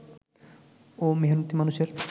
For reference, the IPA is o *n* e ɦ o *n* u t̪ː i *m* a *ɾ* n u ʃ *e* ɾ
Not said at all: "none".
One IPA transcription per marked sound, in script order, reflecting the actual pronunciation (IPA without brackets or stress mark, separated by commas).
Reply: m, n, m, none, e